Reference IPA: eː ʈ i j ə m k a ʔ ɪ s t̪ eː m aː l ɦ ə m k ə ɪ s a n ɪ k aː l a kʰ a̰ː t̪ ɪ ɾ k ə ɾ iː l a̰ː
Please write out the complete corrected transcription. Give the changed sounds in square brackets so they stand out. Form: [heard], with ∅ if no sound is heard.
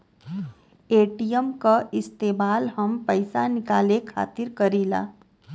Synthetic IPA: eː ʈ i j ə m k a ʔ ɪ s t̪ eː m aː l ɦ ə m [p] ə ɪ s a n ɪ k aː l [e] kʰ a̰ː t̪ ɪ ɾ k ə ɾ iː l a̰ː